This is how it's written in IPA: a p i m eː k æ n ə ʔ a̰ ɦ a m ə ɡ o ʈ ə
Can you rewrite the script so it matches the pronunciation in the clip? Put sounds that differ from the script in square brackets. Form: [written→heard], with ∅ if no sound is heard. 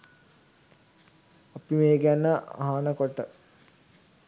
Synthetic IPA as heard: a p i m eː [k→ɡ] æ n ə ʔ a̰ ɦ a [m→n] ə [ɡ→k] o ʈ ə